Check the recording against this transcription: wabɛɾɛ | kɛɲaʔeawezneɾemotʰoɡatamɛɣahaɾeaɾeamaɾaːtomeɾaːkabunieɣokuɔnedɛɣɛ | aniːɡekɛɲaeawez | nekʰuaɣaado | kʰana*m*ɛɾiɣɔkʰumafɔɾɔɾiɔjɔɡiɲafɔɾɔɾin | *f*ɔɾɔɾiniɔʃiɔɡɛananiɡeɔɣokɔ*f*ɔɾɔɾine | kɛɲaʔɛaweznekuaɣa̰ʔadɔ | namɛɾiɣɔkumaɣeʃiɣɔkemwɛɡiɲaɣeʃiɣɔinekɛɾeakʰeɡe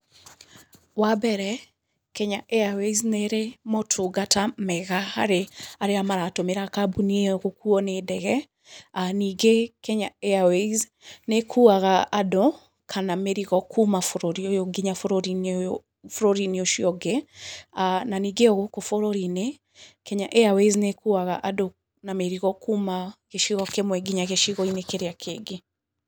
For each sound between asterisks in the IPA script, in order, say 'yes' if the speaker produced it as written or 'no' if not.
yes, yes, yes

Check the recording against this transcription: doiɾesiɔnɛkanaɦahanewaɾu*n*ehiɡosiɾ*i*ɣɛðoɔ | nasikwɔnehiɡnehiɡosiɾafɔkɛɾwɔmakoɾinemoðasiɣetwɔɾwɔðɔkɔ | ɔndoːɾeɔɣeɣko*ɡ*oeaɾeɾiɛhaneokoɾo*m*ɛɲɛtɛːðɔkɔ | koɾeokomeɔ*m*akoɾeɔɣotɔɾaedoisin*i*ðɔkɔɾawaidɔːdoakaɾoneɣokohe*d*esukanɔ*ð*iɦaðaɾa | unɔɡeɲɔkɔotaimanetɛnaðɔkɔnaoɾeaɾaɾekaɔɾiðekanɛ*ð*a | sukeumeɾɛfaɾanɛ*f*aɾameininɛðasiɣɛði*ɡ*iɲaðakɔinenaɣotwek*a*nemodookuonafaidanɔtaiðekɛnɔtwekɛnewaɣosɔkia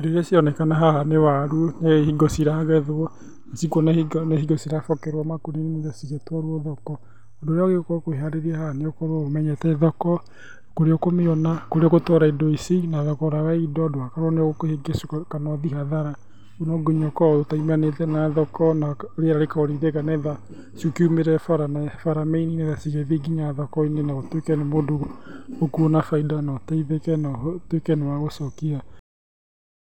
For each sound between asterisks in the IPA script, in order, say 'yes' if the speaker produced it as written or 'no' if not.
yes, no, no, yes, no, no, no, yes, yes, yes, yes, no

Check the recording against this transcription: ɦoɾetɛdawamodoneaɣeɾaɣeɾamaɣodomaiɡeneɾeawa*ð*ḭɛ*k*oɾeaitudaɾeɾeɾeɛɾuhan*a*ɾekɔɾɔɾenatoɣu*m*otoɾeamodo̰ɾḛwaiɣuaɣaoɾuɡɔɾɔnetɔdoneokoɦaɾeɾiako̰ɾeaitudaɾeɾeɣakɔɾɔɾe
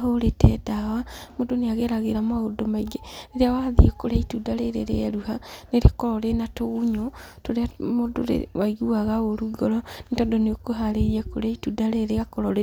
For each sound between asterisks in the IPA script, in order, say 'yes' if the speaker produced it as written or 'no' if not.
yes, yes, no, no

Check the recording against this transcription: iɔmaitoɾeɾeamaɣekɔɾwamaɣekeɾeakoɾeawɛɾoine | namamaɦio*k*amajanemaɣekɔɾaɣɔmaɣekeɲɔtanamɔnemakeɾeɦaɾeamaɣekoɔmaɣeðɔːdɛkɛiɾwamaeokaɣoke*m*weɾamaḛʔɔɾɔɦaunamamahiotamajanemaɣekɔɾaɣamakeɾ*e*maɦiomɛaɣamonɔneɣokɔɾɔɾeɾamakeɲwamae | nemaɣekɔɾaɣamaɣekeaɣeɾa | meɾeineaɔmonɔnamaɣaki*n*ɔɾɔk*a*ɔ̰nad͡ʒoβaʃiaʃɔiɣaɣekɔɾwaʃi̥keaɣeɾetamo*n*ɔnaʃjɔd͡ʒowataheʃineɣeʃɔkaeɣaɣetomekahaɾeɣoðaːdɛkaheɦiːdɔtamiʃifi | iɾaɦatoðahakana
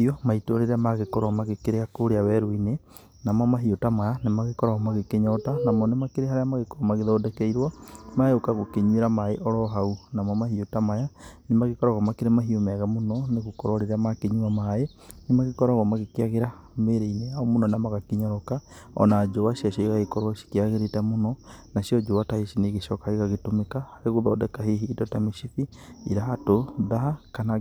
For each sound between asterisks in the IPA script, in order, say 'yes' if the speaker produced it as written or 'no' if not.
no, no, yes, no, yes, yes

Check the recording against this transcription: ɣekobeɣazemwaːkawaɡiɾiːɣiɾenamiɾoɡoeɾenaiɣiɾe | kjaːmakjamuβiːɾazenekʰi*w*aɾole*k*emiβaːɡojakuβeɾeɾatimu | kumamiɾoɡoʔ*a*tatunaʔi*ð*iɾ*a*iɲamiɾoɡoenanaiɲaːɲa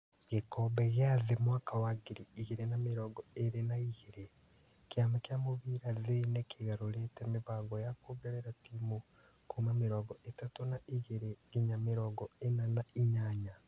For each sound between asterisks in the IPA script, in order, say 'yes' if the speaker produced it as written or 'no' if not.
no, no, no, no, no

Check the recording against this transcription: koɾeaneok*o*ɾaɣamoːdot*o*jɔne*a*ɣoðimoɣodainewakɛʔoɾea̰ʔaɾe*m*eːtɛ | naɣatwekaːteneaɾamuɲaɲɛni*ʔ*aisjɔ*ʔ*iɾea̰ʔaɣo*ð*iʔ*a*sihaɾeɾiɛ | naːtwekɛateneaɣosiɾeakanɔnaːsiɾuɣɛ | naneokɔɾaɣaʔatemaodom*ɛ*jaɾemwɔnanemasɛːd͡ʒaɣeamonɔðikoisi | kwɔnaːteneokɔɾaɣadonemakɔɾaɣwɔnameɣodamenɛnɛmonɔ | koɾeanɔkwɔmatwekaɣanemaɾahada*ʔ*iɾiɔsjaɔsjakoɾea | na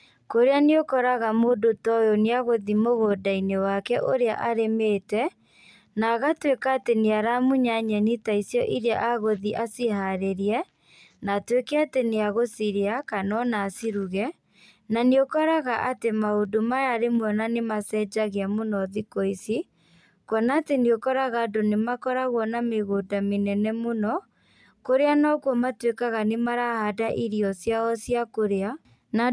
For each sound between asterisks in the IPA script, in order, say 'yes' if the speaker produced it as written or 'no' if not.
no, no, yes, yes, no, yes, yes, yes, no, yes

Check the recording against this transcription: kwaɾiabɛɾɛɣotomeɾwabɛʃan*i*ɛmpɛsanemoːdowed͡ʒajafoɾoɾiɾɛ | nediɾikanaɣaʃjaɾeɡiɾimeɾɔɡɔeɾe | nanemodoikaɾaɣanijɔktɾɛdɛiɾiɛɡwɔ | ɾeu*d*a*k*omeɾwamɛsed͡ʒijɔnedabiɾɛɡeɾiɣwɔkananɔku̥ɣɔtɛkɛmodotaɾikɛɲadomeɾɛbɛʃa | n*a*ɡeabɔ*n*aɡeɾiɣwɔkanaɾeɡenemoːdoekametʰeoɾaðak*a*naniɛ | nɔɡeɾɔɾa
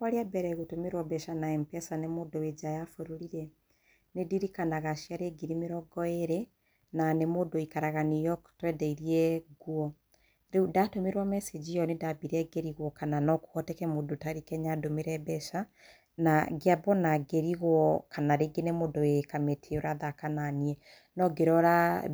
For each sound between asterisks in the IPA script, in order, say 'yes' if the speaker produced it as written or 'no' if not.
no, yes, no, yes, yes, yes

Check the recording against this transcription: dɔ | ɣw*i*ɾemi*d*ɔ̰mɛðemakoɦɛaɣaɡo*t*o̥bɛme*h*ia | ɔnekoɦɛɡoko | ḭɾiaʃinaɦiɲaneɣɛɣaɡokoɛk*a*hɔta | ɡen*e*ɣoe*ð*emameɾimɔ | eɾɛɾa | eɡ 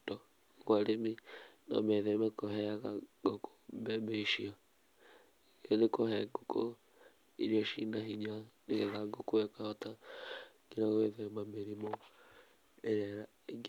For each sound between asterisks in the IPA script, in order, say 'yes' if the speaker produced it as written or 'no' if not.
no, no, no, no, yes, no, yes

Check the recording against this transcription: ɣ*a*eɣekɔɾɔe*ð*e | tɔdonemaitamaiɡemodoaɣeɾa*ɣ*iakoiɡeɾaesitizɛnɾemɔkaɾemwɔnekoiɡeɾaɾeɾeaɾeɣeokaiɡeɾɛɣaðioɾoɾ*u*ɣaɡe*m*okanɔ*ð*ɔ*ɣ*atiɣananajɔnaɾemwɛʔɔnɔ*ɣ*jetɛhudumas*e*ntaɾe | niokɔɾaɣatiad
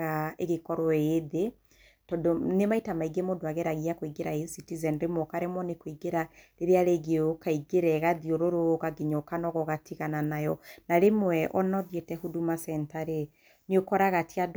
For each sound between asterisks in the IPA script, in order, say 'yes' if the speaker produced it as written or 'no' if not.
yes, yes, yes, no, no, no, yes, no, no

